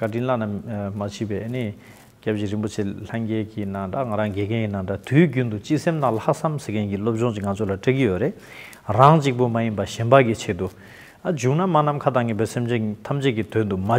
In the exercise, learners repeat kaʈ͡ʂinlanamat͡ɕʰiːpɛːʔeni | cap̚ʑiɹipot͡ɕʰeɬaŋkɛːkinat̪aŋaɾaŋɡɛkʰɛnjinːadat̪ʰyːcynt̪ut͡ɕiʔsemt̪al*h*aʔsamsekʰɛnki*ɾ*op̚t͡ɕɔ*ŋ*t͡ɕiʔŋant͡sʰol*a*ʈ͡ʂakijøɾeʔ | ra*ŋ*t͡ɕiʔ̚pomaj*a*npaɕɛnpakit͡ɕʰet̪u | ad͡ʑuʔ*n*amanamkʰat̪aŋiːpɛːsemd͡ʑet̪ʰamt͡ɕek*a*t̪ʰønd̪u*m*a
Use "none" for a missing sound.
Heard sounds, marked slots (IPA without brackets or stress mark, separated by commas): h, l, ŋ, a, ŋ, i, n, i, m